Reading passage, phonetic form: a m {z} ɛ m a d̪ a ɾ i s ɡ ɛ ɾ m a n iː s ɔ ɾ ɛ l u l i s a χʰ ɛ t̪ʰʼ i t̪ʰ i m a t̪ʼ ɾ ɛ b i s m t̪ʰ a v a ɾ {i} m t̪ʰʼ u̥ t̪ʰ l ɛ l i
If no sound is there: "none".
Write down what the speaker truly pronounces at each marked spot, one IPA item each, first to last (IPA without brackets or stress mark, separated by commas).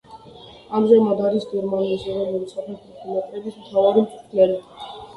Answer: z, i